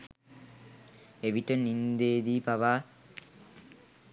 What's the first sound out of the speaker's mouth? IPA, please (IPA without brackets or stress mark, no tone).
e